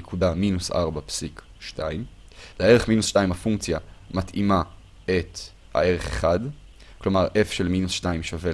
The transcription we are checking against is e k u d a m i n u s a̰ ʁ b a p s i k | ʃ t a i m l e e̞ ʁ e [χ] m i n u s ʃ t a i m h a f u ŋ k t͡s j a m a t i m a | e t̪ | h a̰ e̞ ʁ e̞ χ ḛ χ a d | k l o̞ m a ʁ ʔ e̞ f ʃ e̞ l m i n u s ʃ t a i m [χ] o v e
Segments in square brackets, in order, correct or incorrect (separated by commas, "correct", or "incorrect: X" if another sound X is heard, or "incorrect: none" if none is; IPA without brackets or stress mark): correct, incorrect: ʃ